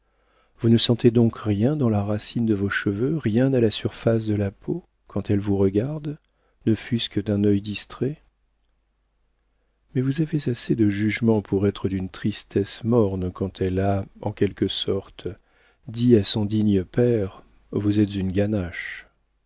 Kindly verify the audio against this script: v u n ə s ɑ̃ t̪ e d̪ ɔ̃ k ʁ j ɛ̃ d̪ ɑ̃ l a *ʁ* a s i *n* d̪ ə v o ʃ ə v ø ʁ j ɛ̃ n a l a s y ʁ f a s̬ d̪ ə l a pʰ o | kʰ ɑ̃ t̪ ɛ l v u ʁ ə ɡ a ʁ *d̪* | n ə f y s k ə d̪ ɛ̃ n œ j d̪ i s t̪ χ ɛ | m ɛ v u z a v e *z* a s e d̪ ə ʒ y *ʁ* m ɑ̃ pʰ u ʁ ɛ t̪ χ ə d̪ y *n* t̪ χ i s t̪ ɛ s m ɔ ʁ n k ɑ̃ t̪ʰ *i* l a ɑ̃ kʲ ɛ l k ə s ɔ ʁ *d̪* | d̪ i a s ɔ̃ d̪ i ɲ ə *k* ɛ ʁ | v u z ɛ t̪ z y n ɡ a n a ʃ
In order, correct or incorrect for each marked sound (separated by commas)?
correct, correct, correct, correct, incorrect, correct, incorrect, incorrect, incorrect